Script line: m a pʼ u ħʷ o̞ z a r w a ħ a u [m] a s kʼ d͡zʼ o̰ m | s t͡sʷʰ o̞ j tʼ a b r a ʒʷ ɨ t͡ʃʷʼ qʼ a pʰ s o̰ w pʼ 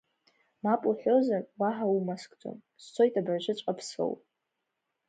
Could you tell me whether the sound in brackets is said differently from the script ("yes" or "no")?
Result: no